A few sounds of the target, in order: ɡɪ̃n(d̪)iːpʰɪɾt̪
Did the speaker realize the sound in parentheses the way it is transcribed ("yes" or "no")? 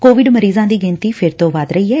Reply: no